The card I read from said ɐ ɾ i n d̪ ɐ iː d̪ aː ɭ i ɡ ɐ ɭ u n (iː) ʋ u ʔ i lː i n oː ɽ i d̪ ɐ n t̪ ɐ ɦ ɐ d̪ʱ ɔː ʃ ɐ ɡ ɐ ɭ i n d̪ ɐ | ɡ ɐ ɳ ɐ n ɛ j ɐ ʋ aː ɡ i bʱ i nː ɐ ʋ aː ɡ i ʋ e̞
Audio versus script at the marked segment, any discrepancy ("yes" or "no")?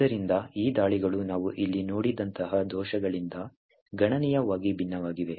yes